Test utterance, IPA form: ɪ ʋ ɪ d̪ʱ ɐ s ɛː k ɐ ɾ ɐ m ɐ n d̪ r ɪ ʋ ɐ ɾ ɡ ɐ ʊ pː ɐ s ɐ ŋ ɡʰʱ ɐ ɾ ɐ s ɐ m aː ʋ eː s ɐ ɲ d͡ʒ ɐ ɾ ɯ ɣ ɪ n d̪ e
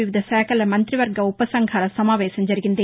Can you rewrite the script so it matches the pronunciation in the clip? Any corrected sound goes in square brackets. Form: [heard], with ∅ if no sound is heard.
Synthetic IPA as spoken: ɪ ʋ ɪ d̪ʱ ɐ s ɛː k ɐ [l] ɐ m ɐ n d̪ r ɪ ʋ ɐ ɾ ɡ ɐ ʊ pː ɐ s ɐ ŋ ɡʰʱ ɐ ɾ ɐ s ɐ m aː ʋ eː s ɐ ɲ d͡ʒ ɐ ɾ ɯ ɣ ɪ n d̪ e